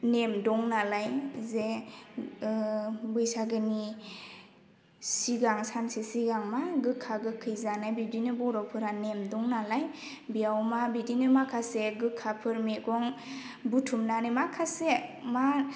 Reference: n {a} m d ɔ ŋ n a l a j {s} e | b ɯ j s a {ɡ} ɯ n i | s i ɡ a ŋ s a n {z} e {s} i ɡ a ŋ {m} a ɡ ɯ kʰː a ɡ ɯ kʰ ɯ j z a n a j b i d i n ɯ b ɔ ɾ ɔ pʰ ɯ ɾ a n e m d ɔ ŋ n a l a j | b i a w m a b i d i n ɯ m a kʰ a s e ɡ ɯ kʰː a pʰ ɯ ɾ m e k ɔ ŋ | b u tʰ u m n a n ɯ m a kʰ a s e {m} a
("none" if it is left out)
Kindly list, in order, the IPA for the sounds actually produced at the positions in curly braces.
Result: e, z, ɡ, s, s, m, m

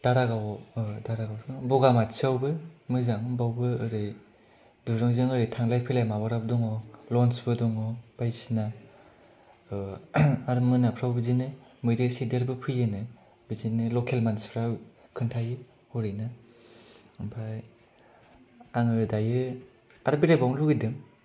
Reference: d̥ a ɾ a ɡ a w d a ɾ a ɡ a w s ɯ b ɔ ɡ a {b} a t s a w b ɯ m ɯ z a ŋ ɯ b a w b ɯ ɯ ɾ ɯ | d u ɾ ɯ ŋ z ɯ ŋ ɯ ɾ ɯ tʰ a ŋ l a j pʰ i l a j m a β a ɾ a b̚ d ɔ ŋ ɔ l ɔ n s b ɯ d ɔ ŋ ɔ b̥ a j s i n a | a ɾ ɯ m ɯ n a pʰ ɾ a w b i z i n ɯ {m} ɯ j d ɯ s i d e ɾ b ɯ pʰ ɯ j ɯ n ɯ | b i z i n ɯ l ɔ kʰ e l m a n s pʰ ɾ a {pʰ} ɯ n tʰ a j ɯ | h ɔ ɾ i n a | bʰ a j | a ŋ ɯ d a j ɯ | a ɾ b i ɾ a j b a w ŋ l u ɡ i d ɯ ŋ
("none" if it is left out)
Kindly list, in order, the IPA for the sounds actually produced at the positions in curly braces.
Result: m, m, kʰ

